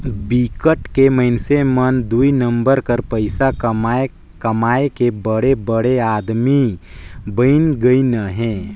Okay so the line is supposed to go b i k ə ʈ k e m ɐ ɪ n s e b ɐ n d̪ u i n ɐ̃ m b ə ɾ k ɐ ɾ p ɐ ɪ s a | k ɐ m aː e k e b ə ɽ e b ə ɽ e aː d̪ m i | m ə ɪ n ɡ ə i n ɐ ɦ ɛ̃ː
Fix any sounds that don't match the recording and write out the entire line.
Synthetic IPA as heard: b i k ə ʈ k e m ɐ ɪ n s e m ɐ n d̪ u i n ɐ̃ m b ə ɾ k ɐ ɾ p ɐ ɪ s a | k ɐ m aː e k e b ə ɽ e b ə ɽ e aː d̪ m i | b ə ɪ n ɡ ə i n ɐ ɦ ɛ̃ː